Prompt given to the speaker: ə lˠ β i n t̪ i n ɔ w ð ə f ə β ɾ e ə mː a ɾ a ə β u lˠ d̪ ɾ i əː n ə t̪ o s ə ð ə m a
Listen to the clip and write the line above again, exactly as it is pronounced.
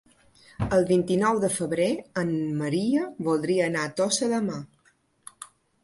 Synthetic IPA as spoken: ə lˠ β i n t̪ i n ɔ w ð ə f ə β ɾ e ə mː ə ɾ i ə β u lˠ d̪ ɾ i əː n a t̪ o s ə ð ə m a